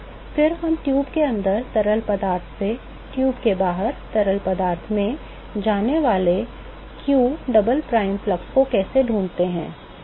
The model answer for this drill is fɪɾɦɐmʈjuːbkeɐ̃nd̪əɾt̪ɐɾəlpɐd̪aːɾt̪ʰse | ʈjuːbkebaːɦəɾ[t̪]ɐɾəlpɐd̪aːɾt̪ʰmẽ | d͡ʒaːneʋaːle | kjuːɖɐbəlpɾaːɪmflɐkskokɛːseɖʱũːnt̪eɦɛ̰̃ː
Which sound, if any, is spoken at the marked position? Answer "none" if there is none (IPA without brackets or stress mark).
t̪